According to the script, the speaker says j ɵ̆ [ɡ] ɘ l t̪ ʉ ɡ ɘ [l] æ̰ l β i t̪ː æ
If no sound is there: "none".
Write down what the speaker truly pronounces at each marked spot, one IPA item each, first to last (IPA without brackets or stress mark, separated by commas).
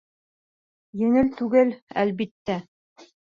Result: ŋ, l